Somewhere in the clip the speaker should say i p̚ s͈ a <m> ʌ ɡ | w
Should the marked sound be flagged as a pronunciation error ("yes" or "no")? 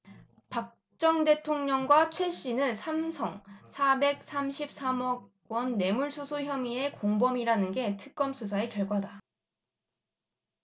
no